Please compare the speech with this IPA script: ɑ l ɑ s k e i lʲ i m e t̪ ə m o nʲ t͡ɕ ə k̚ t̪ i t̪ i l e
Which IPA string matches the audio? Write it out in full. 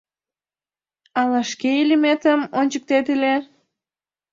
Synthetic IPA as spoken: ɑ l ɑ ʃ k e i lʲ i m e t̪ ə m o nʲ t͡ɕ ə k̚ t̪ e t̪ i l e